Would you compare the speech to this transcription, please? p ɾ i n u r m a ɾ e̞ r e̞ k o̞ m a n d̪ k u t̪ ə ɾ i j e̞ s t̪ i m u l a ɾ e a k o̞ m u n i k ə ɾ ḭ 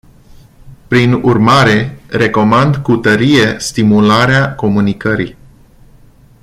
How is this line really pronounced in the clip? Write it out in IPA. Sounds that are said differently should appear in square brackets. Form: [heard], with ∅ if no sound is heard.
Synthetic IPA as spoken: p ɾ i n u r m a ɾ e̞ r e̞ k o̞ m a n d̪ k u t̪ ə ɾ i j e̞ s t̪ i m u l a ɾ e a k o̞ m u n i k ə ɾ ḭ